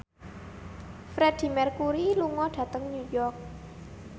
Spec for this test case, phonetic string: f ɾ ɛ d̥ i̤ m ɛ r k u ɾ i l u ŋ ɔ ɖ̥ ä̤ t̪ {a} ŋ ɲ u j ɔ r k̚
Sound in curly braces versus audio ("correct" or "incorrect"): incorrect